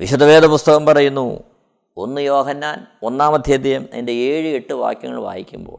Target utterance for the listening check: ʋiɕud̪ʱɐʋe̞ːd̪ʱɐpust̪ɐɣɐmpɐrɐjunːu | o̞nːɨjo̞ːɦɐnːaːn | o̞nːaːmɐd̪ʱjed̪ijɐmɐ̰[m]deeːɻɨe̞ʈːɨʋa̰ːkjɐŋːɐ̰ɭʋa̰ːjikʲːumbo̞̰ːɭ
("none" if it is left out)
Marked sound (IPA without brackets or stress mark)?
n